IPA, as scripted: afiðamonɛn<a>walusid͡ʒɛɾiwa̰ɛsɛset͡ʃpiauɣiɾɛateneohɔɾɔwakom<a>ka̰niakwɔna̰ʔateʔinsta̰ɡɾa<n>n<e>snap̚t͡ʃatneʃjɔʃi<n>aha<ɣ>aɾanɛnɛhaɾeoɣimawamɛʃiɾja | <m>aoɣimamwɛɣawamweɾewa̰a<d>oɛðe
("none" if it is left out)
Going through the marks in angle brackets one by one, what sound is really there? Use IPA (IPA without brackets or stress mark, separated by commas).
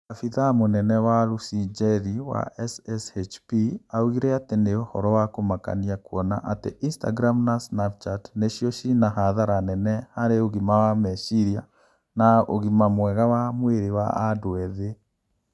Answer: ɛ, a, m, a, n, ð, n, d